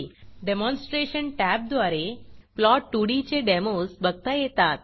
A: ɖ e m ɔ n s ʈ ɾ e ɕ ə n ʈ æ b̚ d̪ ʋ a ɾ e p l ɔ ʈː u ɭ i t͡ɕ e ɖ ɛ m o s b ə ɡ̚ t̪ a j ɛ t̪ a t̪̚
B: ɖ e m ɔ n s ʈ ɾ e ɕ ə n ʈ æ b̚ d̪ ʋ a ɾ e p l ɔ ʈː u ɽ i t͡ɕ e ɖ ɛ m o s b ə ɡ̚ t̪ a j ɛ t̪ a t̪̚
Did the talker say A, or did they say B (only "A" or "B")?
B